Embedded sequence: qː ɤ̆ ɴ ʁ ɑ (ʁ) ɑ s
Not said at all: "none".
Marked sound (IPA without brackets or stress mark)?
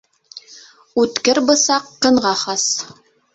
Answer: χ